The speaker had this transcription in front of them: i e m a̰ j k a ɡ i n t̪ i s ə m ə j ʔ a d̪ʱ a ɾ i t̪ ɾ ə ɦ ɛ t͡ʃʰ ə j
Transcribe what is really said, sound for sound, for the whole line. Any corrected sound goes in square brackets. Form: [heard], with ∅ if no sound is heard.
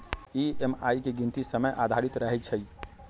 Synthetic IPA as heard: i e m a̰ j k [e] ɡ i n t̪ i s ə m ə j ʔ a d̪ʱ a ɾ i t̪ ɾ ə ɦ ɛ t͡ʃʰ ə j